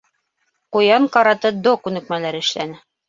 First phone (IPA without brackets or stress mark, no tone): q